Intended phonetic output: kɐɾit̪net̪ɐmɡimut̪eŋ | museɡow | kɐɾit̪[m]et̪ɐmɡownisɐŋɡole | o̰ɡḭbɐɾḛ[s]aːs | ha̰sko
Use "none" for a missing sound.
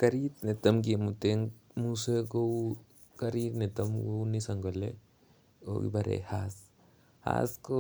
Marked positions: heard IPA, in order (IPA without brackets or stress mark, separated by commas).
n, h